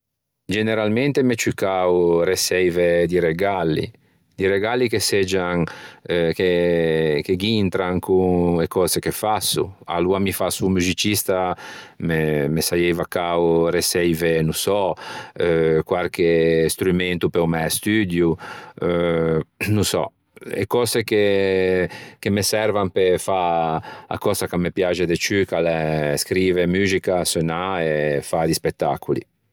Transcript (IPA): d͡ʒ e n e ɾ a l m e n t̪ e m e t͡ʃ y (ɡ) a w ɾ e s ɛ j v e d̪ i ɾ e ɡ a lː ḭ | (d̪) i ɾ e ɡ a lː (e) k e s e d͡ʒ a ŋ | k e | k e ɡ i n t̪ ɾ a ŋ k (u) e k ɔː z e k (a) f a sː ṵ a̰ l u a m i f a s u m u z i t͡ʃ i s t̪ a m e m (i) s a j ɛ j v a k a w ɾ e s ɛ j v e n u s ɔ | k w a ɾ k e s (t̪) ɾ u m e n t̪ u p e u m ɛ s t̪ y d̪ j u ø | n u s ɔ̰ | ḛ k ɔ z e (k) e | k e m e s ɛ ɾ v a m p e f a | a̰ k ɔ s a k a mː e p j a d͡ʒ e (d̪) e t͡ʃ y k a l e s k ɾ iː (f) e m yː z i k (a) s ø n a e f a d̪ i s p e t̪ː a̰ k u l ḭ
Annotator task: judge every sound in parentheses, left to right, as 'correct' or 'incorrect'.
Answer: incorrect, correct, incorrect, correct, incorrect, incorrect, correct, correct, correct, incorrect, correct

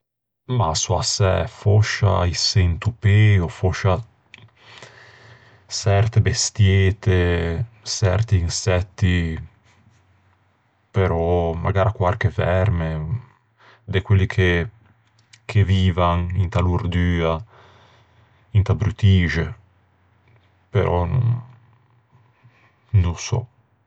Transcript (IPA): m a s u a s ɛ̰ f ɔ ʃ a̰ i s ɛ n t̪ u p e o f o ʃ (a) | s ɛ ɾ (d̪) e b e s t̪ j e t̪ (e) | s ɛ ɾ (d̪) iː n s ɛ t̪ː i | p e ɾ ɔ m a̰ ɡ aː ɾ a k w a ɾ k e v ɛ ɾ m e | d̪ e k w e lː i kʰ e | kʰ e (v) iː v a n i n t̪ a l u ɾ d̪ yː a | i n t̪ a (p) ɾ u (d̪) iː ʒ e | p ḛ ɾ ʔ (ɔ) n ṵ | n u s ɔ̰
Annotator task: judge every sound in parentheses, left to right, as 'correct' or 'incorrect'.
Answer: correct, incorrect, correct, incorrect, correct, incorrect, incorrect, correct

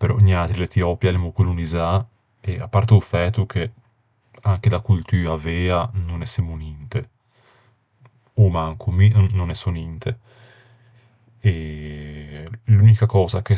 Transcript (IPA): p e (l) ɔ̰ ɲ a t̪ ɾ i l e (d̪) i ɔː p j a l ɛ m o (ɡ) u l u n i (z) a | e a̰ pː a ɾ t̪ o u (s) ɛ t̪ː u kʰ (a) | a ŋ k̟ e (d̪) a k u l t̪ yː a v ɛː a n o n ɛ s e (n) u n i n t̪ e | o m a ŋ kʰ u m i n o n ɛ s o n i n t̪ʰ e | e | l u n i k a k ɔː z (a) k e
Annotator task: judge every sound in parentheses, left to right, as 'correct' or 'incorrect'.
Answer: incorrect, incorrect, incorrect, correct, incorrect, incorrect, correct, incorrect, correct

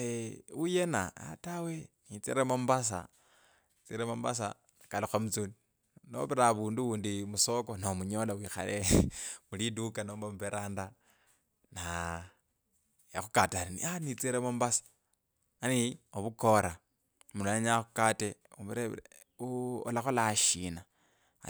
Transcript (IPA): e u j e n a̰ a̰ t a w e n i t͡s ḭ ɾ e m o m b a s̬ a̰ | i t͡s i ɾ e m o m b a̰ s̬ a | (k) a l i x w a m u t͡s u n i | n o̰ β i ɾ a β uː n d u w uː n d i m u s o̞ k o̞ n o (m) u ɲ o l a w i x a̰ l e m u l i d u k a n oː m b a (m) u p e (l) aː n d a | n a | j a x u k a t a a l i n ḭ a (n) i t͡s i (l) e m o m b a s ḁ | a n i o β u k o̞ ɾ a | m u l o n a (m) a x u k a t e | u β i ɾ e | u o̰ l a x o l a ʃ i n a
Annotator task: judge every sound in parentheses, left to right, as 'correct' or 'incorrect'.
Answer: correct, correct, correct, incorrect, correct, incorrect, incorrect

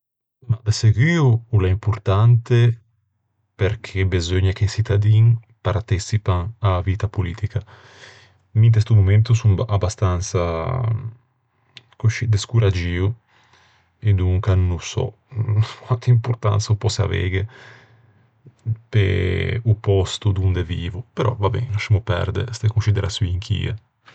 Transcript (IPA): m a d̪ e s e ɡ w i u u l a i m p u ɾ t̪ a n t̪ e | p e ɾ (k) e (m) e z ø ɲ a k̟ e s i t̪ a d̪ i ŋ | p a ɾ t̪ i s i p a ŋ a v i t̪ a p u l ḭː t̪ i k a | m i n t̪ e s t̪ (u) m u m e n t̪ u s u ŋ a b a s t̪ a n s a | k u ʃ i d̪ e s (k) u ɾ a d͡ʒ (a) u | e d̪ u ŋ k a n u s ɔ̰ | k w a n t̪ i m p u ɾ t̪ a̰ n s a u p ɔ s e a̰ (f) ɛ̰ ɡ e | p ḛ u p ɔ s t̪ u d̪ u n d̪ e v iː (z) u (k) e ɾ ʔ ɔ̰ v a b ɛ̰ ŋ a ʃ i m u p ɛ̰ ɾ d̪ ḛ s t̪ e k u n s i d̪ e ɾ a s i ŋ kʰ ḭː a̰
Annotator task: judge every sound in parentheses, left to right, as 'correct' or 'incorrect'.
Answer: incorrect, incorrect, correct, correct, incorrect, incorrect, incorrect, incorrect

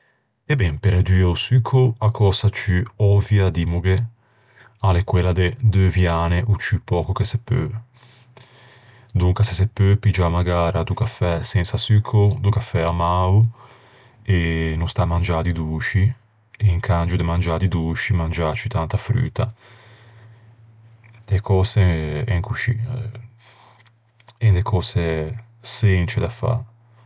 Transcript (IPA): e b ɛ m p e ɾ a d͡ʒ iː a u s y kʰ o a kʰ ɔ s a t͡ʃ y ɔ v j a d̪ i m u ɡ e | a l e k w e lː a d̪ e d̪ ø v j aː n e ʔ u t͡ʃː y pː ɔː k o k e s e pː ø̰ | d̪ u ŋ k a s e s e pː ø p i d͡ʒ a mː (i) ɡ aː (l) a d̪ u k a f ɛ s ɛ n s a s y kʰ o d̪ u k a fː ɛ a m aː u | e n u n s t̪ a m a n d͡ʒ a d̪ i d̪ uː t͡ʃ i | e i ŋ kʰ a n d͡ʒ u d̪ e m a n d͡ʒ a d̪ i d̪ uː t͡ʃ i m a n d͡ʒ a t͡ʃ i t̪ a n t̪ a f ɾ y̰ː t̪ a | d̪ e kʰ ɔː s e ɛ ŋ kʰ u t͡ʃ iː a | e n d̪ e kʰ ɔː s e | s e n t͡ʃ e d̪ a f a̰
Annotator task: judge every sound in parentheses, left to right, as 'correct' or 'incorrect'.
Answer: incorrect, incorrect

